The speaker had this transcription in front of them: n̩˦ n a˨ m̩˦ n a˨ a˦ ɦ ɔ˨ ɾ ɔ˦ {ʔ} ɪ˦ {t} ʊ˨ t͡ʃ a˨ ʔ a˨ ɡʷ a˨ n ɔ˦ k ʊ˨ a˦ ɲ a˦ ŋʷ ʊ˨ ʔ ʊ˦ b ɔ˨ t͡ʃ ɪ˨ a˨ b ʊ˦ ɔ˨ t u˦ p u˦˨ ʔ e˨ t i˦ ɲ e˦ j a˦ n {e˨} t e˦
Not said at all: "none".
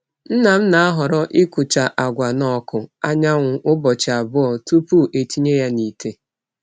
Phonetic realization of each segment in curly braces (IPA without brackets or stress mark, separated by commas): ʔ, k, i˨